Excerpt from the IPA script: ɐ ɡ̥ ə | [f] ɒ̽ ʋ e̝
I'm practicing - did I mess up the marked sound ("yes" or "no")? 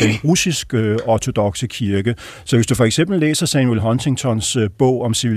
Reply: yes